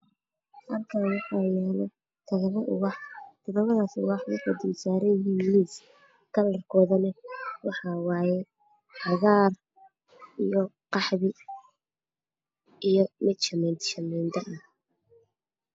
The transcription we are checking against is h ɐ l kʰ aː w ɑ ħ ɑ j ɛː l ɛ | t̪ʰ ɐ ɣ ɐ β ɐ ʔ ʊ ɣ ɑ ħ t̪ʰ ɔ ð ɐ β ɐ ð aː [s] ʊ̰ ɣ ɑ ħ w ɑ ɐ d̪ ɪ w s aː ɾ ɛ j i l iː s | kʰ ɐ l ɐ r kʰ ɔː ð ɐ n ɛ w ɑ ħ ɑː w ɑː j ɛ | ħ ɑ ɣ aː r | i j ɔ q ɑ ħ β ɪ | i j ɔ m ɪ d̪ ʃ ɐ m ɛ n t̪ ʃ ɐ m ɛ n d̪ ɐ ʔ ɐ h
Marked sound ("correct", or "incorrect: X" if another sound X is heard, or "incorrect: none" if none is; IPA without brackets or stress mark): correct